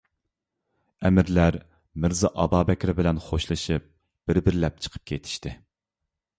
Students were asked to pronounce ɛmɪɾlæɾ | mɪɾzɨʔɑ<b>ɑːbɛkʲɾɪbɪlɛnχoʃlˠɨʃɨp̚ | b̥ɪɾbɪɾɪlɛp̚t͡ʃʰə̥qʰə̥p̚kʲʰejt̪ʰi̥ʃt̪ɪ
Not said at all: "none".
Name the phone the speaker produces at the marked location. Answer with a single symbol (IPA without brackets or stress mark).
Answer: b